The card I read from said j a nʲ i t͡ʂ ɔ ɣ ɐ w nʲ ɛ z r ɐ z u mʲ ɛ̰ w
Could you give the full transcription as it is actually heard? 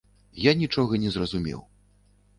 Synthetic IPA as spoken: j a nʲ i t͡ʂ ɔ ɣ ɐ nʲ ɛ z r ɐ z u mʲ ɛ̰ w